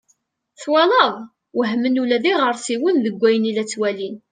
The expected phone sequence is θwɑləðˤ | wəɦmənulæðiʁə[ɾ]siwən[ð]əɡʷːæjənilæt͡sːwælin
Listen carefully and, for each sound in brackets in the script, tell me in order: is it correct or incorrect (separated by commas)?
correct, correct